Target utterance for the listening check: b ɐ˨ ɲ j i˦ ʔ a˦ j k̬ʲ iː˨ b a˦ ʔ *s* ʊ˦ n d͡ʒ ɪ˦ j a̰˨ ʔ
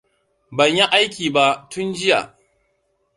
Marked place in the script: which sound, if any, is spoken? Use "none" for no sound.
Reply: t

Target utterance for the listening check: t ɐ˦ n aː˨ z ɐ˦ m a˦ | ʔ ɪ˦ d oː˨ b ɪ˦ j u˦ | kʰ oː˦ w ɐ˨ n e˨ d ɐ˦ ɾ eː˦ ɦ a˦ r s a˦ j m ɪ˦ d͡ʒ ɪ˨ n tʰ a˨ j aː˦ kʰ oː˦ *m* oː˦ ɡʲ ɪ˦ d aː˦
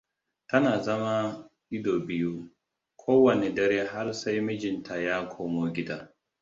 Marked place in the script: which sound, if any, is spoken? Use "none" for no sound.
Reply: m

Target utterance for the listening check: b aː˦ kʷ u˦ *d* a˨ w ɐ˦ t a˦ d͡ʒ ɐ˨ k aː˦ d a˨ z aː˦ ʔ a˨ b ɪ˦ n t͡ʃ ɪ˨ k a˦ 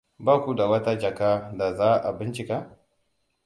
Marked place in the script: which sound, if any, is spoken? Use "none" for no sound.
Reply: d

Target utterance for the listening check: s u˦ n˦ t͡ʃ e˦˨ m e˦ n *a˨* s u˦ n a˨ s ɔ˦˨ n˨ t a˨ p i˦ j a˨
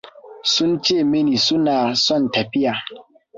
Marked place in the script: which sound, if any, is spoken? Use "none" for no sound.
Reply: i˨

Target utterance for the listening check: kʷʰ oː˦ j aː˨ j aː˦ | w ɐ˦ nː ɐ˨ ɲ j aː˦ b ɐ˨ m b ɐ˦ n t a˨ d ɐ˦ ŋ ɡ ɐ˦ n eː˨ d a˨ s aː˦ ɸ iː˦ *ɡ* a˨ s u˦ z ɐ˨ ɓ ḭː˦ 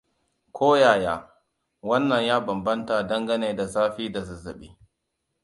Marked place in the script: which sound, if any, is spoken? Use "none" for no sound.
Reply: d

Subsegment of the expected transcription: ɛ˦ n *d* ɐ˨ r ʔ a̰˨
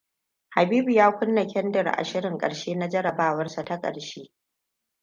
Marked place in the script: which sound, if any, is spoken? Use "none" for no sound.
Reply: d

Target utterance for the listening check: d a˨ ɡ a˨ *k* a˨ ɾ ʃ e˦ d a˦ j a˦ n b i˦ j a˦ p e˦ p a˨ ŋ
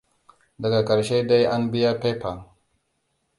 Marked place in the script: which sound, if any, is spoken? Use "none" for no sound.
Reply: k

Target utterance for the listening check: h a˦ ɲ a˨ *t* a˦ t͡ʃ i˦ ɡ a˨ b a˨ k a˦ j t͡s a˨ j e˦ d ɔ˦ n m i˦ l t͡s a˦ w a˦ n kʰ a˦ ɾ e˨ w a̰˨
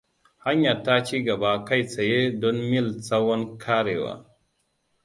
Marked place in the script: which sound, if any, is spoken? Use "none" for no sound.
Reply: t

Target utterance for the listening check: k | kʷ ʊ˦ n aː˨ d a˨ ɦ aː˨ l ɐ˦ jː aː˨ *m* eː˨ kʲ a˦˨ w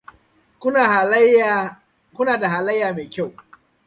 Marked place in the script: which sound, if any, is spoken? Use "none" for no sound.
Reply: m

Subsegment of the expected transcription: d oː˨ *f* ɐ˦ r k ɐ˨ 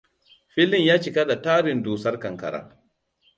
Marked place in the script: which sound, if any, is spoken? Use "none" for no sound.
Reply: s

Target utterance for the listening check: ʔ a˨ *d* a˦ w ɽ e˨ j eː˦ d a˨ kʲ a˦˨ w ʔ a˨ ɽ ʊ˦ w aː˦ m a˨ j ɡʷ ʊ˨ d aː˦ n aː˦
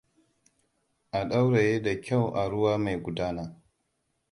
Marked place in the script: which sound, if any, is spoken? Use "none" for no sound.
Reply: ɗ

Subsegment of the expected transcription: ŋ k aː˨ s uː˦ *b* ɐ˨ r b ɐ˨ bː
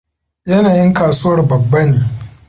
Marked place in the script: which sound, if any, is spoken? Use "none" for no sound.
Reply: w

